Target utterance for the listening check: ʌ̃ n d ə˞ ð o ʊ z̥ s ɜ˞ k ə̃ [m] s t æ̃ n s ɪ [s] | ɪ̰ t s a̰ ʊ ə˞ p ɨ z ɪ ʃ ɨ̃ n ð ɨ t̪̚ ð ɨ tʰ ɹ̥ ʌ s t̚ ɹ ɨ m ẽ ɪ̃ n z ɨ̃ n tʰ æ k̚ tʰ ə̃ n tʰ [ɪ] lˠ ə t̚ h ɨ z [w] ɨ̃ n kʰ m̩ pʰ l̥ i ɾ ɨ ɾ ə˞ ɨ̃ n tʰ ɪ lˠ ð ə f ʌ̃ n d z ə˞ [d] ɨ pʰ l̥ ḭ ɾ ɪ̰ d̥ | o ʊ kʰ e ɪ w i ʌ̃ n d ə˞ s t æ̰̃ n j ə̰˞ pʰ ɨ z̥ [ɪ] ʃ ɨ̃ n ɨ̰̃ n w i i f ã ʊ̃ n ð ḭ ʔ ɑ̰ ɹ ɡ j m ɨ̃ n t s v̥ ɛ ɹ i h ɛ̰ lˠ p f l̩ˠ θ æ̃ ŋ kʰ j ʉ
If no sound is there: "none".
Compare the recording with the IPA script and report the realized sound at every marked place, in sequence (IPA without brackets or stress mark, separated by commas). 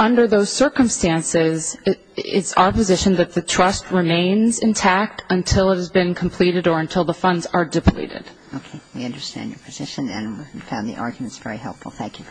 m, z, ɪ, b, d, ɪ